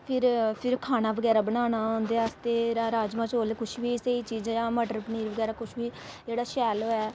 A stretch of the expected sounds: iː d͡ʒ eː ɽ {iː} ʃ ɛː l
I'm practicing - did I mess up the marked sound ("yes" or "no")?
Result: yes